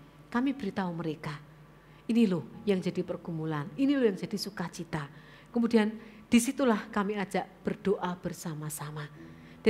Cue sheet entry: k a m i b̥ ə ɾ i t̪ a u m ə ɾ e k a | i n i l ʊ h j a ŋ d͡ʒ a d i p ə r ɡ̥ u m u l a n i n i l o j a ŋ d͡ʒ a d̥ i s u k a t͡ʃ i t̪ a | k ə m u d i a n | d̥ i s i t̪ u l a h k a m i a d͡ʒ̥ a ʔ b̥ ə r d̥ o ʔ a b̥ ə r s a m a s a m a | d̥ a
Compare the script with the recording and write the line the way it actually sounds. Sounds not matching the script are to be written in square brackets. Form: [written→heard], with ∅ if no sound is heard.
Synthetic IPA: k a m i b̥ ə ɾ i t̪ a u m ə ɾ e k a | i n i l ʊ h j a ŋ d͡ʒ a d i p ə r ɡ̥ u m u l a n i n i l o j a ŋ d͡ʒ a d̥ i s u k a t͡ʃ i t̪ a | k ə m u d i a n | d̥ i s i t̪ u l a h k a m i a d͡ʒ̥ a ʔ b̥ ə r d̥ o ʔ a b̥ ə r s a m a s a m a | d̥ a